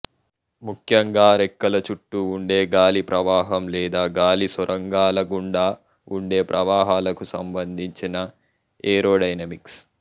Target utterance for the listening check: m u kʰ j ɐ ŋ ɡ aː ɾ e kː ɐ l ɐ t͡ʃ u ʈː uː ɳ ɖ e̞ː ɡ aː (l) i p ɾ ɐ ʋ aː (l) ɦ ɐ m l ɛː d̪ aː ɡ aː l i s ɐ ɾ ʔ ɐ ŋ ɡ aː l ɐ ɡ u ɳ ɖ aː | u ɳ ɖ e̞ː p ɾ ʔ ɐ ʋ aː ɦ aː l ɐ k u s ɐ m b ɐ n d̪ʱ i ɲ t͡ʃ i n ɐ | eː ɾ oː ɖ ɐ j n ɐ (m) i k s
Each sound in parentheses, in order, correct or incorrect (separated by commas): correct, incorrect, correct